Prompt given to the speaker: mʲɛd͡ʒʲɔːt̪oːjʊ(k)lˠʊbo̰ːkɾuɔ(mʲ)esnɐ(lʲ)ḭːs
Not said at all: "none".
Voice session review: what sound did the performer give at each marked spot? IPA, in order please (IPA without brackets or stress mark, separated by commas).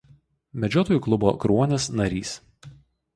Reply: k, nʲ, ɾʲ